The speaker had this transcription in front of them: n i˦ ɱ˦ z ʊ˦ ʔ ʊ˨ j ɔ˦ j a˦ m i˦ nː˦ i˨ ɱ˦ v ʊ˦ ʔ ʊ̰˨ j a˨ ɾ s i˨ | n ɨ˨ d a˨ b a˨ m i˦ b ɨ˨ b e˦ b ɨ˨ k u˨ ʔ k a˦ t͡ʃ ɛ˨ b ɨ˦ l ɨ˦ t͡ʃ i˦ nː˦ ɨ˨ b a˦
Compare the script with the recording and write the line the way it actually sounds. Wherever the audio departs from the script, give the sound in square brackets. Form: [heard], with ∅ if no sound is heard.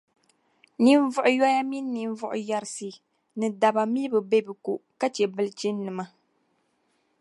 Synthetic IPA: n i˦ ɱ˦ [v] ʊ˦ ʔ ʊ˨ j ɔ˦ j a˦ m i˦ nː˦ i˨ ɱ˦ v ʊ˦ ʔ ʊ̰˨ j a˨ ɾ s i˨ | n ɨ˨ d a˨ b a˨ m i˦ b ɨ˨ b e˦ b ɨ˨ k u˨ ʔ k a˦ t͡ʃ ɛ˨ b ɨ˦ l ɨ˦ t͡ʃ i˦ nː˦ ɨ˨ [m] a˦